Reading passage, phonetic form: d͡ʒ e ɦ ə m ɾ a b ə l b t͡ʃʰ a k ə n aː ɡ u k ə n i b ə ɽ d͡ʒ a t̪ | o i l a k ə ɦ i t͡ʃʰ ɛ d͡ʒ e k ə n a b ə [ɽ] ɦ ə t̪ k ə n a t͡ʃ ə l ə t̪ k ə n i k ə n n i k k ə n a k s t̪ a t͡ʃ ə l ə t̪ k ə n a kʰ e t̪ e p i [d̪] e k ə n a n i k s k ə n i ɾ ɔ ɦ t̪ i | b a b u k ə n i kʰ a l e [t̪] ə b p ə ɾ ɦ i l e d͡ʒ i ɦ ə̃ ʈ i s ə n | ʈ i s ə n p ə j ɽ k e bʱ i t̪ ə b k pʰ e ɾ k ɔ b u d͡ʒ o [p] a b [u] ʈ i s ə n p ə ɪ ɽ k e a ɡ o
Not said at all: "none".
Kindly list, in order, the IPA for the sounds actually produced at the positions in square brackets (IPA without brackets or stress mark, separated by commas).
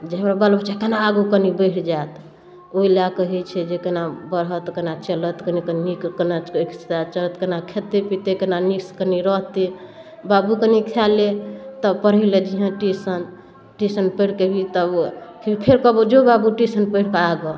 ɾ, t̪, t̪, b, u